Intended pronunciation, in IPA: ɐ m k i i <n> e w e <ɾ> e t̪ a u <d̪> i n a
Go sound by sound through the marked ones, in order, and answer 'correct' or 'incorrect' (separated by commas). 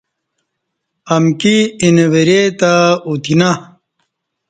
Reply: correct, correct, incorrect